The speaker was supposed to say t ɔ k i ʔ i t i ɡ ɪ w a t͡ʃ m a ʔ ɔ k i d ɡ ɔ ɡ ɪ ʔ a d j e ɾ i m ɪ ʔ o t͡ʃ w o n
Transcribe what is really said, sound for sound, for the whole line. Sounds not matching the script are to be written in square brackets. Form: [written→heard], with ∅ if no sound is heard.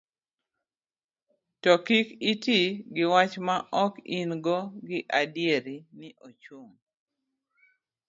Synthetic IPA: t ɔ k i [ʔ→k] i t i ɡ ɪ w a t͡ʃ m a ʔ ɔ k i [d→n] ɡ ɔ ɡ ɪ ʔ a d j e ɾ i [m→n] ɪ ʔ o t͡ʃ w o [n→ŋ]